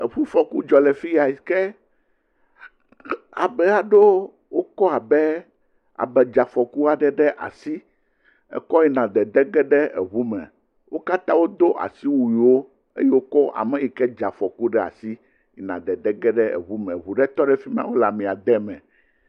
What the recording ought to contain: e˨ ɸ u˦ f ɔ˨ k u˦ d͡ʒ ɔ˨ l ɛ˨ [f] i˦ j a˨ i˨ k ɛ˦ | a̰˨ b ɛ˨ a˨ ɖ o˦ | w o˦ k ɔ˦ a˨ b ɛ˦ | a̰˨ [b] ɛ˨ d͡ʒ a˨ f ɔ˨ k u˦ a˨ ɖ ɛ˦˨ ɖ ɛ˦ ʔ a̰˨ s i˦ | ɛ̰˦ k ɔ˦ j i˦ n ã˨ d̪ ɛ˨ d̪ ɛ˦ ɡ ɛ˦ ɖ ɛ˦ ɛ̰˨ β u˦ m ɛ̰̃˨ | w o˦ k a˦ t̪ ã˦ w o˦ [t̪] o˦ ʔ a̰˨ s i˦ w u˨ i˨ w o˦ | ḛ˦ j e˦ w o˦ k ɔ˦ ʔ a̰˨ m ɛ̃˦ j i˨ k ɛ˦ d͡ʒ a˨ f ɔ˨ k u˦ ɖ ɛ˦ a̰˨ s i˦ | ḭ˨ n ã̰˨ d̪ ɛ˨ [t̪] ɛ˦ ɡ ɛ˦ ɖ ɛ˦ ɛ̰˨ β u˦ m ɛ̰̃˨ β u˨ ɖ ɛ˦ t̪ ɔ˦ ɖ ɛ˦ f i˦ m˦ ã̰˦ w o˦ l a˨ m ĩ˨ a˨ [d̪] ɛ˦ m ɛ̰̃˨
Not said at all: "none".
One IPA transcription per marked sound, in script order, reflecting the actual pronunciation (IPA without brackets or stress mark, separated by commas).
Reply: f, b, d̪, d̪, d̪